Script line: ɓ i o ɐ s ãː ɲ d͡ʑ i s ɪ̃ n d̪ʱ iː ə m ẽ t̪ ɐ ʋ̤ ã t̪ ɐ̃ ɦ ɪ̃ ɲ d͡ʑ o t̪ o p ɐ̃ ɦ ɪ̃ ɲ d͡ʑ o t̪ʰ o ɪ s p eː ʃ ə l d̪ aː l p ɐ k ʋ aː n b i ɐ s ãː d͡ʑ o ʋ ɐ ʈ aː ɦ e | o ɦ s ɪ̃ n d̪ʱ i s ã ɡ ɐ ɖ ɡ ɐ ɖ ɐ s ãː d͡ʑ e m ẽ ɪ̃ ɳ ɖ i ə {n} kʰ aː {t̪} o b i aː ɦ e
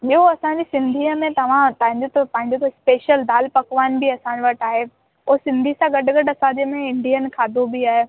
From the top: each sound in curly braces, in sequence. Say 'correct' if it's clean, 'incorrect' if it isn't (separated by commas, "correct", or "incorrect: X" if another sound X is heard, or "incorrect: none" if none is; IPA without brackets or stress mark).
correct, incorrect: d̪